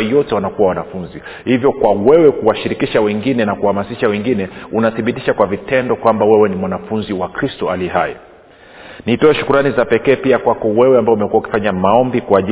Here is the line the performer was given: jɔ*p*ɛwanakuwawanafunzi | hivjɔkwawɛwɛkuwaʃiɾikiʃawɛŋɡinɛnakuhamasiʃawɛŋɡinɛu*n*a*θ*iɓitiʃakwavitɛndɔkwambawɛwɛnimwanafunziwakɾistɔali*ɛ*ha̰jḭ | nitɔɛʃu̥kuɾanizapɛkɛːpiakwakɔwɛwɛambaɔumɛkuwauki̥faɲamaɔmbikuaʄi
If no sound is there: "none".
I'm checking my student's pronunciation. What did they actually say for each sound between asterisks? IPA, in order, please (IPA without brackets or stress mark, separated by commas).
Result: t, n, θ, ɛ